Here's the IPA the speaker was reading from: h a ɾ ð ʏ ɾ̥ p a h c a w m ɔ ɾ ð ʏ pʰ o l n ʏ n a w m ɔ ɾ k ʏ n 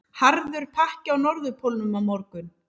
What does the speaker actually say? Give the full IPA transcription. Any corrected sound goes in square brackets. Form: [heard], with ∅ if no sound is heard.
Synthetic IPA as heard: h a ɾ ð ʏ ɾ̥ [pʰ] a h c a w [n] ɔ ɾ ð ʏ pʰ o l n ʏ [m] a w m ɔ ɾ k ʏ n